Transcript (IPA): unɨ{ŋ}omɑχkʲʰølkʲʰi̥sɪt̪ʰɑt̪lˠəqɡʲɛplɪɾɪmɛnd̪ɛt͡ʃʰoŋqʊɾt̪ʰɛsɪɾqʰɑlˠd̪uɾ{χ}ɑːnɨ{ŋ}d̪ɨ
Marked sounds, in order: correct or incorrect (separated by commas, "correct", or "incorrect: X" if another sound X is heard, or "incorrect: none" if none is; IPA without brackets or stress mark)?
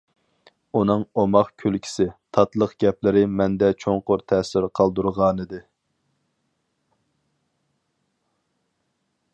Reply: correct, incorrect: ʁ, incorrect: none